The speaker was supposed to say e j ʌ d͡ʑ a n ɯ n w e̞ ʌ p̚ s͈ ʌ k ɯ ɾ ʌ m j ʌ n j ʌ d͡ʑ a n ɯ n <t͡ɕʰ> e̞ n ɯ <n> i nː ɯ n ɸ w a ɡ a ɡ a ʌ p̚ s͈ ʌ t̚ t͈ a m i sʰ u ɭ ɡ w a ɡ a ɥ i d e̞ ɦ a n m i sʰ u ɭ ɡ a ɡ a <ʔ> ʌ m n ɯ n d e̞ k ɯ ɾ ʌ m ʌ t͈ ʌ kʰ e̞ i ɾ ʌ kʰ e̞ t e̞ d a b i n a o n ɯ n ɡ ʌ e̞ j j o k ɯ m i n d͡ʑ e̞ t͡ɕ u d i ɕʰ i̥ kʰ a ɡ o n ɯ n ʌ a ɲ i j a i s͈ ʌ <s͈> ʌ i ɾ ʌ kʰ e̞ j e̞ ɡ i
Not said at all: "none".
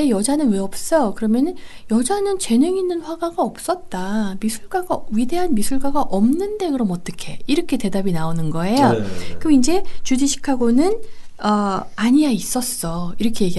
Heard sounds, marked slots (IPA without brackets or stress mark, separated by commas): t͡ɕ, ŋ, ʔ, s͈